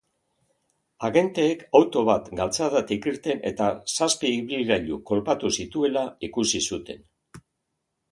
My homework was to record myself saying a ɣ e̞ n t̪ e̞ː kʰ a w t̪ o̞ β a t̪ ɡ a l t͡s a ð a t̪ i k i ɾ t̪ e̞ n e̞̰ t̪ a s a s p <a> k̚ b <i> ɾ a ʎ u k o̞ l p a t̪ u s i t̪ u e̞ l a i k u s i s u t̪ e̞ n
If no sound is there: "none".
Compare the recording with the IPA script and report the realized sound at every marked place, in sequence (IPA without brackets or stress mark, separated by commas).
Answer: i, i